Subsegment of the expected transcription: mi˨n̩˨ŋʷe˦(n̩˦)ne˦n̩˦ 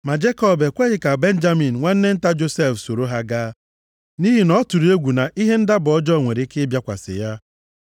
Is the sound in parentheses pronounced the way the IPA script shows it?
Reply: yes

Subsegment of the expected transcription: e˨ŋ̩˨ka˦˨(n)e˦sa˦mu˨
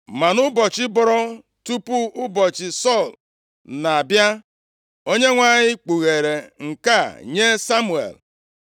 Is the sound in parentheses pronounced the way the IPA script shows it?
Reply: no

